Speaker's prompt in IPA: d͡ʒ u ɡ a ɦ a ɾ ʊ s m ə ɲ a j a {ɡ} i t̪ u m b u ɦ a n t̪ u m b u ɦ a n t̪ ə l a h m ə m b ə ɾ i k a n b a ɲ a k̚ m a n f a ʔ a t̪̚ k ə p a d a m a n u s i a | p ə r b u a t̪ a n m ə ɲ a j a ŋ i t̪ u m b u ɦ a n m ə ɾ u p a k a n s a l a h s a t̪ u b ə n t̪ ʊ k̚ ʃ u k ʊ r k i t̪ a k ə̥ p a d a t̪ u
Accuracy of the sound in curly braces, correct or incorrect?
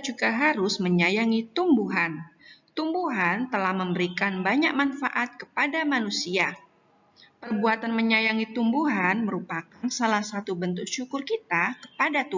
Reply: incorrect